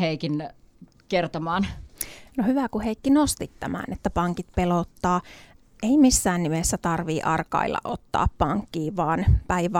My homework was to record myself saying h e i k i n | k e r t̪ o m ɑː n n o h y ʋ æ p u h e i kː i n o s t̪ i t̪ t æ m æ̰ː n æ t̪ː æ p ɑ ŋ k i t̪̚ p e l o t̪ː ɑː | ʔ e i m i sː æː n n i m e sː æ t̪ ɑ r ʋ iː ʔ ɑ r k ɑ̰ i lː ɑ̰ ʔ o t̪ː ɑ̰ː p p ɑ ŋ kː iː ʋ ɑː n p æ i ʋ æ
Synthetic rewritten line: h e i k i n | k e r t̪ o m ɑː n n o h y ʋ æ k u h e i kː i n o s t̪ i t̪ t æ m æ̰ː n e t̪ː æ p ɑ ŋ k i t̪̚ p e l o t̪ː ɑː | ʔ e i m i sː æː n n i m e sː æ t̪ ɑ r ʋ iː ʔ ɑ r k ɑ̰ i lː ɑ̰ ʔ o t̪ː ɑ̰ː p p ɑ ŋ kː iː ʋ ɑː n p æ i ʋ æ